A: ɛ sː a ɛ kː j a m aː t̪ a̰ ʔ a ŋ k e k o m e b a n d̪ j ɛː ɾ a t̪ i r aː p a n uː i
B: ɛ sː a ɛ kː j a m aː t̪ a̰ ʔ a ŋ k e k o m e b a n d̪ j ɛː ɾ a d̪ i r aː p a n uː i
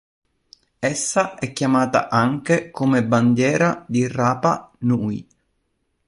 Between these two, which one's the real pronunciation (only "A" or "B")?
B